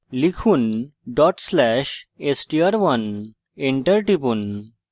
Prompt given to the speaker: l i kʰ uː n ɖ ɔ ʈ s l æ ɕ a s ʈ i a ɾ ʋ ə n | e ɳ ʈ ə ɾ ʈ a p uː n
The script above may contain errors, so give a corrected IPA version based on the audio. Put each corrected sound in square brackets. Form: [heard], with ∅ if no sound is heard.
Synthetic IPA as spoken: l i kʰ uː n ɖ ɔ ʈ s l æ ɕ [e] s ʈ i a ɾ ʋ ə n | e ɳ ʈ ə ɾ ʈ [i] p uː n